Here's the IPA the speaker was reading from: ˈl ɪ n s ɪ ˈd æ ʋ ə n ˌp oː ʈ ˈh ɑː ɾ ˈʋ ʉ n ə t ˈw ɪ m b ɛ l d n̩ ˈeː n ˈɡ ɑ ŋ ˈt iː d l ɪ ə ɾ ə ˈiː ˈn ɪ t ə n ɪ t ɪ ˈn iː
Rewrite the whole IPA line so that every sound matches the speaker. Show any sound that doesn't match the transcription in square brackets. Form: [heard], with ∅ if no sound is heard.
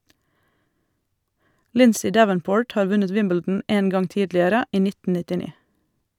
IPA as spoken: ˈl ɪ n s ɪ ˈd æ ʋ ə n ˌp oː ʈ ˈh ɑː ɾ ˈʋ ʉ n ə t ˈw ɪ m b ɛ l d n̩ ˈeː n ˈɡ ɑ ŋ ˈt iː d l ɪ ə ɾ ə ˈiː ˈn ɪ t ə n ɪ t ɪ ˈn iː